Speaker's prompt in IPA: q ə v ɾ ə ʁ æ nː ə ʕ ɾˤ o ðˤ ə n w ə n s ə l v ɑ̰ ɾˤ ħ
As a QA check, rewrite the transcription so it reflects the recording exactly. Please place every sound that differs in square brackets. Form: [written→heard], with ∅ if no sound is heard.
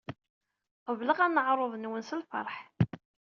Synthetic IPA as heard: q ə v [ɾ→l] ə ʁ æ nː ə ʕ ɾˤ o ðˤ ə n w ə n s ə l [v→f] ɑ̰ ɾˤ ħ